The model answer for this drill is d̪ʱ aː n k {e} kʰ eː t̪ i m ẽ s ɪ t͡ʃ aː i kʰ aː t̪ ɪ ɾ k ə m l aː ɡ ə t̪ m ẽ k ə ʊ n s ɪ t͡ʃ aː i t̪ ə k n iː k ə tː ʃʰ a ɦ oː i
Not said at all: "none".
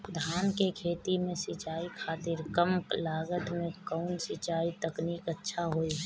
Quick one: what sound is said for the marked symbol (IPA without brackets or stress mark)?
e